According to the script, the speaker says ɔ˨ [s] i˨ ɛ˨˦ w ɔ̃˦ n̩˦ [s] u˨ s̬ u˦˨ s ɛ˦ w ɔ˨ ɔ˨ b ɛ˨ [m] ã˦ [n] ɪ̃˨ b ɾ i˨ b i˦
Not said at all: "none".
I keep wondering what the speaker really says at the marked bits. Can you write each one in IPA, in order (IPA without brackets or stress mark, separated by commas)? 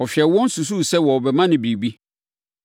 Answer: f, s, m, n